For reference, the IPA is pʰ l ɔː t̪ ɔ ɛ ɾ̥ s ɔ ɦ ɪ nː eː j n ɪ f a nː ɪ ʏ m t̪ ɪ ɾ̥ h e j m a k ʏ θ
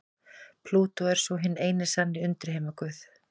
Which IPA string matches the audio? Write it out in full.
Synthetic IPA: pʰ l uː t̪ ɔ ɛ ɾ̥ s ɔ ɦ ɪ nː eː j n ɪ s a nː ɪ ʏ n t̪ ɪ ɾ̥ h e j m a k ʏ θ

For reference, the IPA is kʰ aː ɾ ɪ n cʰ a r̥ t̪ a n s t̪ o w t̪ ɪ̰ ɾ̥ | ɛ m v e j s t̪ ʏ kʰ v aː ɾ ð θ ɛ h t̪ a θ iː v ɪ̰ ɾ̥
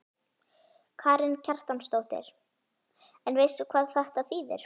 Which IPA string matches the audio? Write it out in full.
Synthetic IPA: kʰ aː ɾ ɪ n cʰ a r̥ t̪ a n s t̪ o w t̪ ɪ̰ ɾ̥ | ɛ n v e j s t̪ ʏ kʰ v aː ð θ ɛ h t̪ a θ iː ð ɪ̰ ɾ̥

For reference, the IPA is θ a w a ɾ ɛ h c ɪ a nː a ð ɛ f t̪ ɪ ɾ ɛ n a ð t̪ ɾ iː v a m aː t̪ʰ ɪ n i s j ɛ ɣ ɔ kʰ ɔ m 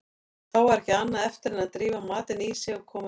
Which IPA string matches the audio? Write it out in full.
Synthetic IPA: θ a w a ɾ ɛ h c ɪ a nː a ð ɛ f t̪ ɪ ɾ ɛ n a ð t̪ ɾ iː v a m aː t̪ ɪ n i s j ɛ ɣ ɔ kʰ ɔː m

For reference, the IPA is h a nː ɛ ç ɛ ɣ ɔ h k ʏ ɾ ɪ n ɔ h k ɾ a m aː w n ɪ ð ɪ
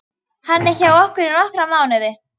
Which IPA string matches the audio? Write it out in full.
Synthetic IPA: h a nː ɛ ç a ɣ ɔ h k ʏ ɾ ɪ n ɔ h k ɾ a m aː w n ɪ ð ɪ

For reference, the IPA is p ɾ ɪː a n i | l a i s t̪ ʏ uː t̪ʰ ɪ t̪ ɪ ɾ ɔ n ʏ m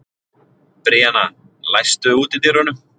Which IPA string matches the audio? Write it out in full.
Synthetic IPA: p ɾ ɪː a n a | l a j s t̪ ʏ uː t̪ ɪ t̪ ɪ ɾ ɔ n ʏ m

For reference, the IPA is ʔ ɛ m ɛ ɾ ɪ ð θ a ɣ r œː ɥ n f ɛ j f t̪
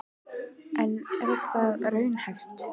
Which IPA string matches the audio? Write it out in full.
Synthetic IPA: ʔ ɛ n ɛ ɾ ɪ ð θ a ð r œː ɥ n h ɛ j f t̪

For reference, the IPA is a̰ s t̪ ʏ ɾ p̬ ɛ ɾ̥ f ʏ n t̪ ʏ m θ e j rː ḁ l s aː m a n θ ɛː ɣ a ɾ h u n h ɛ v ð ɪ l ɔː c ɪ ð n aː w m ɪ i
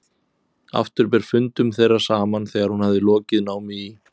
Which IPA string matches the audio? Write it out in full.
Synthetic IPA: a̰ f t̪ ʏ ɾ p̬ ɛ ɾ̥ f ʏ n t̪ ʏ m θ e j rː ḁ s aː m a n θ ɛː ɣ a ɾ h u n h a v ð ɪ l ɔː c ɪ ð n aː w m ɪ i

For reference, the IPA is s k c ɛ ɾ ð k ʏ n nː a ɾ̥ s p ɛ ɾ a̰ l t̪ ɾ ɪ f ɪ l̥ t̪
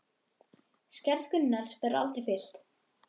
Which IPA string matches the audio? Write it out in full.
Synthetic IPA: s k c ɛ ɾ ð k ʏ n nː a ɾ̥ s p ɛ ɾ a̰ l t̪ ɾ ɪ f ɪ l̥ t̪

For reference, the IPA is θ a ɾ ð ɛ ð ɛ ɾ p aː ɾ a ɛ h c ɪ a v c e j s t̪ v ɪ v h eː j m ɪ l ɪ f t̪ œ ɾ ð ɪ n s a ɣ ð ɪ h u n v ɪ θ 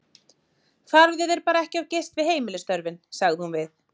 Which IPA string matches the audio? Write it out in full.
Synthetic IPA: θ a ɾ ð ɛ ð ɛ ɾ p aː ɾ a ɛ h c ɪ a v c e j s t̪ v ɪ ð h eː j m ɪ l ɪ s t̪ œ ɾ v ɪ n s a ɣ ð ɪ h u n v ɪ θ

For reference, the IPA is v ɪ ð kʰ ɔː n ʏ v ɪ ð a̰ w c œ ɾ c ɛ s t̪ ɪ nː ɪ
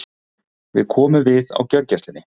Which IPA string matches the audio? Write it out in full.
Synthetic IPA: v ɪ ð kʰ ɔː m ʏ v ɪ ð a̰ w c œ ɾ c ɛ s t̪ ɪ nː ɪ

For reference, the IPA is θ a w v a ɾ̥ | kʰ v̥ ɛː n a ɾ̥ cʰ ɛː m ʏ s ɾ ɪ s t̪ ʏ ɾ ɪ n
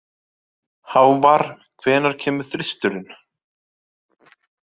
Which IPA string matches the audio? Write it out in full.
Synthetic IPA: h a w v a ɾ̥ | kʰ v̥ ɛː n a ɾ̥ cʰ ɛː m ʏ θ ɾ ɪ s t̪ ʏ ɾ ɪ n

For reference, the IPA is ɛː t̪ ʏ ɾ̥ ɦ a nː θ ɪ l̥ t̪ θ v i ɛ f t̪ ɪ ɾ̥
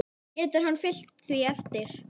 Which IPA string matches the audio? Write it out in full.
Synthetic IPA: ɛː t̪ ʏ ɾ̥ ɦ a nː f ɪ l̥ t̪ θ v i ɛ f t̪ ɪ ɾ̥

